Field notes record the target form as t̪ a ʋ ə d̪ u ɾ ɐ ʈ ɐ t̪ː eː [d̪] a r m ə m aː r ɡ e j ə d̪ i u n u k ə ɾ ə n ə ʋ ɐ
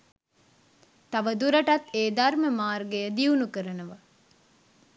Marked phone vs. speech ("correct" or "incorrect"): correct